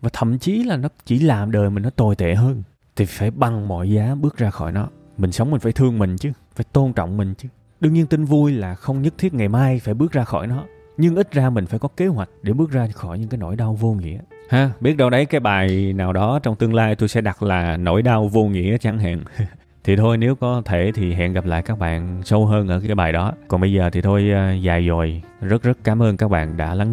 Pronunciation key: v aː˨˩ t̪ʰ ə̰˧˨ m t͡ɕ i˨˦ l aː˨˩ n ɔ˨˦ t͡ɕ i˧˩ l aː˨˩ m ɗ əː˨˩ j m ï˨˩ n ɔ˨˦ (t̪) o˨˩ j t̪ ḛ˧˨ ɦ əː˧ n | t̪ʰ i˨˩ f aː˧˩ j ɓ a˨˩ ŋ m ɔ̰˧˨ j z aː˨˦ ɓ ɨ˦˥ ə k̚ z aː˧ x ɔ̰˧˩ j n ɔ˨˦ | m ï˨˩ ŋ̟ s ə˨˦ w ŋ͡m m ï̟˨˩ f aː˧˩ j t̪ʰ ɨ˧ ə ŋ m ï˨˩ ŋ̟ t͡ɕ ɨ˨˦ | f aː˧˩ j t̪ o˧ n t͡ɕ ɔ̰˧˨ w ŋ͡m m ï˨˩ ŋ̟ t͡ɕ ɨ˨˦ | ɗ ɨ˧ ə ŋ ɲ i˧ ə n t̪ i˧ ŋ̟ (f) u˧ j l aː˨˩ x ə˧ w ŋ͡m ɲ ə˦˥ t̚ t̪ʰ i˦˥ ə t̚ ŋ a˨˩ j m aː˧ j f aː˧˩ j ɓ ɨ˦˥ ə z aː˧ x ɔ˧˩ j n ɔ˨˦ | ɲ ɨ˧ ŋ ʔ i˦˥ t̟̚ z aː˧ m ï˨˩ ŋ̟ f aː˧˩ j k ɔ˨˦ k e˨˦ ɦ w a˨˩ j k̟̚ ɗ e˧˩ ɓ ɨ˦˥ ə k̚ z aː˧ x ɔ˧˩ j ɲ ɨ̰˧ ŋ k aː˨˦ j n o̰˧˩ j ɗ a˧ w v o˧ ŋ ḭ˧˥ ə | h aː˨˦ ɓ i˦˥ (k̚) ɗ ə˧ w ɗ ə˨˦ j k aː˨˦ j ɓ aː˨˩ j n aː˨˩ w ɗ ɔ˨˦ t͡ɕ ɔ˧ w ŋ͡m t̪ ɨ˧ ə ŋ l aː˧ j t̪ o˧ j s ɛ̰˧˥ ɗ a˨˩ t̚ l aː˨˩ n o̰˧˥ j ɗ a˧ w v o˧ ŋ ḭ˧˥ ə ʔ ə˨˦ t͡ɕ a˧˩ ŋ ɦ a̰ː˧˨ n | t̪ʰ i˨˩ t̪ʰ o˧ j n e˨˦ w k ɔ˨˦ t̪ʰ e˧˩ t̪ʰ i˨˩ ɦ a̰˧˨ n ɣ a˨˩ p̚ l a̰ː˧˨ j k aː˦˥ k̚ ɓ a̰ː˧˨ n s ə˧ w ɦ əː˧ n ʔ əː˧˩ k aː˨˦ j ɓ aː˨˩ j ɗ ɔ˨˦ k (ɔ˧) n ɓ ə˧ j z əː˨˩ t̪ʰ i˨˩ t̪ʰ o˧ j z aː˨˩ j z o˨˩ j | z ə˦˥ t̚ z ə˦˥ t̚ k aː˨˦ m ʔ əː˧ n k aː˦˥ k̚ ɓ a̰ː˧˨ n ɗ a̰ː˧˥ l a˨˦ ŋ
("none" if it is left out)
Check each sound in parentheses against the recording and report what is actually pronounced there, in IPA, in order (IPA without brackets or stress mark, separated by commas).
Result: t̪, v, t̚, ɔ˨˩